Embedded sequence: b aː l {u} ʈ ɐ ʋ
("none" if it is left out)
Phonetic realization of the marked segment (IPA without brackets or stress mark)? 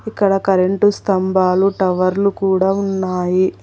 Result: u